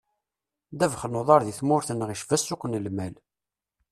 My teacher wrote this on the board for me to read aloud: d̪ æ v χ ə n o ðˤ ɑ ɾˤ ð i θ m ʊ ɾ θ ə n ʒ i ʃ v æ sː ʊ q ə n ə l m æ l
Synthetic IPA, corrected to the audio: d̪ æ v χ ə n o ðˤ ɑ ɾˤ ð i θ m ʊ ɾ θ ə n ʁ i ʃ v æ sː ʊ q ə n ə l m æ l